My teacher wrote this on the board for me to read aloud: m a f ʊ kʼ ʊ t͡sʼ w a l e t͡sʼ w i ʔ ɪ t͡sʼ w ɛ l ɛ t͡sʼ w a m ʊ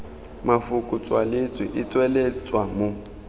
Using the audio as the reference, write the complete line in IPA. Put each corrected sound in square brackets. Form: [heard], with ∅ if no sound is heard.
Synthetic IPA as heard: m a f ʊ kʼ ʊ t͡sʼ w a l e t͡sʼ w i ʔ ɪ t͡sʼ w ɛ l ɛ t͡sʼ w a m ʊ